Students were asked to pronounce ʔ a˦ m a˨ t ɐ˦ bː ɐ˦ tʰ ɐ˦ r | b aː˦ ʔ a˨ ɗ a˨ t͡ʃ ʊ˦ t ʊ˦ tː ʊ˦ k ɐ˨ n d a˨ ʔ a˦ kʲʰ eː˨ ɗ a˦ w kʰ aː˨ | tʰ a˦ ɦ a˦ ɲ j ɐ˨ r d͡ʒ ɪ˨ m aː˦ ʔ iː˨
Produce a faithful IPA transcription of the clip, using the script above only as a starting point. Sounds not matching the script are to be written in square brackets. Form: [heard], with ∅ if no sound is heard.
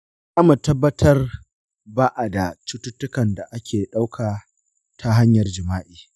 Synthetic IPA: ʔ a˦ m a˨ t ɐ˦ bː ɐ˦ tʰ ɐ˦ r | b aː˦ ʔ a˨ [d] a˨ t͡ʃ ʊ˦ t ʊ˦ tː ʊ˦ k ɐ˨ n d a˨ ʔ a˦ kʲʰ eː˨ ɗ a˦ w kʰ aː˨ | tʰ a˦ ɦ a˦ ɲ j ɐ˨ r d͡ʒ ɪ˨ m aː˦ ʔ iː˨